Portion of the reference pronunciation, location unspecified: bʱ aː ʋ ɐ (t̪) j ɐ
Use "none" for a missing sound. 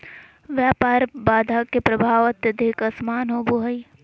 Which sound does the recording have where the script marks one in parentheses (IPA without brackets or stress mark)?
t̪